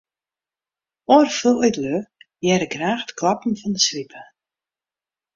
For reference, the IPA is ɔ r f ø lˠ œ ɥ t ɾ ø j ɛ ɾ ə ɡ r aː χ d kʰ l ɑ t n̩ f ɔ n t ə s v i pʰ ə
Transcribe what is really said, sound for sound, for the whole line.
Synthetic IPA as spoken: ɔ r f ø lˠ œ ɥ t l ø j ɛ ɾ ə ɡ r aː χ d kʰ l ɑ p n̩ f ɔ n d ə s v i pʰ ə